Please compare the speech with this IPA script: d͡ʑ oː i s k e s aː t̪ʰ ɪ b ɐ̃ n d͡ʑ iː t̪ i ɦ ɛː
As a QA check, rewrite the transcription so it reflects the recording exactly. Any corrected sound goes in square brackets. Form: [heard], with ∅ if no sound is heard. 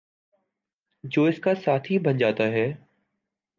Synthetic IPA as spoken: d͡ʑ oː [ɪ] s k [a] s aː t̪ʰ [i] b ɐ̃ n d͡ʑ [aː] t̪ [a] ɦ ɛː